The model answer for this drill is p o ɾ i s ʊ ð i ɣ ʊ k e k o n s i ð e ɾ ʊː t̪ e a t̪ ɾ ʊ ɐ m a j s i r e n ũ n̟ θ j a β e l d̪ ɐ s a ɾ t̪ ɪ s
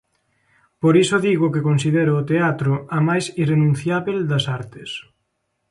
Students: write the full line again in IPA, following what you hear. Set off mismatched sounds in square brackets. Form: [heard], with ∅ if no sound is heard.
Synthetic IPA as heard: p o ɾ i s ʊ ð i ɣ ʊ k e k o n s i ð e ɾ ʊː t̪ e a t̪ ɾ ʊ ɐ m a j s i r e n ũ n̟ θ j a β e l d̪ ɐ s a ɾ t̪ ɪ s